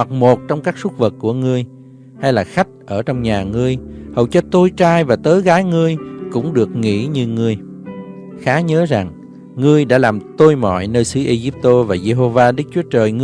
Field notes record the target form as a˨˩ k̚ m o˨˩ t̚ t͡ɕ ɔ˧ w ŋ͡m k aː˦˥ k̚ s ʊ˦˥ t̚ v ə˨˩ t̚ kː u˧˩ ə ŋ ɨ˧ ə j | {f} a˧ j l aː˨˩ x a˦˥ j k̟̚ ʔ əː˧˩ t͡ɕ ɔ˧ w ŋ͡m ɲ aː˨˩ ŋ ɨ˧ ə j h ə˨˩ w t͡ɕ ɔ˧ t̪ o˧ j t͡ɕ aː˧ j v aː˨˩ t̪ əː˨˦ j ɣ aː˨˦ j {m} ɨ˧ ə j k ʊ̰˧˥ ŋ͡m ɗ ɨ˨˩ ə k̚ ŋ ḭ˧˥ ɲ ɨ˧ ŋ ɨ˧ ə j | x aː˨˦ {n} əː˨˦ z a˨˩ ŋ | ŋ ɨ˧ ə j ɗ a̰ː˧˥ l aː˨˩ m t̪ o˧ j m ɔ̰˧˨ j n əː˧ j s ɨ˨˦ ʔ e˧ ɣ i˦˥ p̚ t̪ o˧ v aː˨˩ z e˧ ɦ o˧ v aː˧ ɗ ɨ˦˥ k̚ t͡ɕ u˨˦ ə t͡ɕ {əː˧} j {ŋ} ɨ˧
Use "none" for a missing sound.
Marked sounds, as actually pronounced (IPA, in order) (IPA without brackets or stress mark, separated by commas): h, ŋ, ɲ, əː˨˩, ŋ